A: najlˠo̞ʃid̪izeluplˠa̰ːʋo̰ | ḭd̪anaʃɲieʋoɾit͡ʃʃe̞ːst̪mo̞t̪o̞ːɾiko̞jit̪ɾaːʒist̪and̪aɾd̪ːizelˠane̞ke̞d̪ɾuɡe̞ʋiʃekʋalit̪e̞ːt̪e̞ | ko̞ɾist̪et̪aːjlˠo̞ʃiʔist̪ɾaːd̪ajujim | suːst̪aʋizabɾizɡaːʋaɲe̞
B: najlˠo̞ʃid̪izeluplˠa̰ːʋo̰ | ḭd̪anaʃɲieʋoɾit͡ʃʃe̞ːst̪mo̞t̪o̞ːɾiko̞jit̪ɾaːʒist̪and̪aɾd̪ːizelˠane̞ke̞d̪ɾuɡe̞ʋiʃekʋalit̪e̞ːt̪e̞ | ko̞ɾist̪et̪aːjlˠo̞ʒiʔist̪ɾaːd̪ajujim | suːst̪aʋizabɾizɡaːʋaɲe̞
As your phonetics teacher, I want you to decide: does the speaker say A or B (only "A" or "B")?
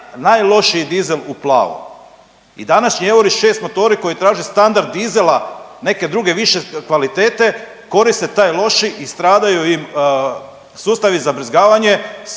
A